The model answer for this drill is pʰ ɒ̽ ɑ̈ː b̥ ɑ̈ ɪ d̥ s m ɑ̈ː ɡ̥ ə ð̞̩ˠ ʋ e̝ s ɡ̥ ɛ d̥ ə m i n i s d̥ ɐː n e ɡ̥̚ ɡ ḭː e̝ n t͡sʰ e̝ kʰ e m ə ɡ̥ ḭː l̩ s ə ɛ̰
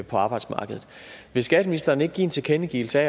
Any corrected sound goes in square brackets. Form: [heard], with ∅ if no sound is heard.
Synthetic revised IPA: pʰ ɒ̽ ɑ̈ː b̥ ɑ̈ ɪ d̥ s m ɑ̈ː ɡ̥ ə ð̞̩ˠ ʋ e̝ s ɡ̥ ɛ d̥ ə m i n i s d̥ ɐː n e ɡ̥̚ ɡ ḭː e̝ n t͡sʰ e̝ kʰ e [n] ə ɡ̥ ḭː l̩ s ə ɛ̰